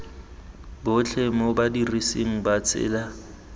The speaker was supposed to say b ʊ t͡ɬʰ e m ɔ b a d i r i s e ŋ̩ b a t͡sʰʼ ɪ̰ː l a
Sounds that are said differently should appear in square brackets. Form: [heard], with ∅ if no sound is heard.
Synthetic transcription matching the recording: b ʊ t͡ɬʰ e m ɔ b a d i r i s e ŋ̩ b a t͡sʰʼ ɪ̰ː l a